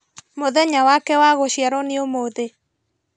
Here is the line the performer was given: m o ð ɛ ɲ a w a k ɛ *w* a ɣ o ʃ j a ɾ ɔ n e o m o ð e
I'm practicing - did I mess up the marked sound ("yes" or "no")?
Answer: no